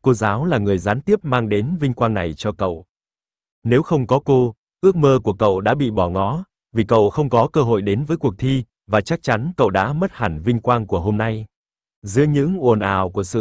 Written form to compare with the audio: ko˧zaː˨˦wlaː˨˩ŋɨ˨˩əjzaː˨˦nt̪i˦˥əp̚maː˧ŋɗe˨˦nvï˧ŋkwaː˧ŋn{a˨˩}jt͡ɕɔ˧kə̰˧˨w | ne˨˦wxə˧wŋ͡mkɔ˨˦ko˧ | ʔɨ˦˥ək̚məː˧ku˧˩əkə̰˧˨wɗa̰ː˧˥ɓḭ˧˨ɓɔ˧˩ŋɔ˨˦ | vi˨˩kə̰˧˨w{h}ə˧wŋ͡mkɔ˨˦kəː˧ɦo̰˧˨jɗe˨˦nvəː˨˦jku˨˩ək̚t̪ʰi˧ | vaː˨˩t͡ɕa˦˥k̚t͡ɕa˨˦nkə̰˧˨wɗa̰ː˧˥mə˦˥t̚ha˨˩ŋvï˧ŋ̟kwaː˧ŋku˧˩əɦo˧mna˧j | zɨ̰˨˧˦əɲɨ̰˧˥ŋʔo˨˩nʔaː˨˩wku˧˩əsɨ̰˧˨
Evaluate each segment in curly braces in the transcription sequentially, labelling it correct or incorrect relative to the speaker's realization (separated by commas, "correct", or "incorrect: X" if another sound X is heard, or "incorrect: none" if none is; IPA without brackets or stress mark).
correct, incorrect: x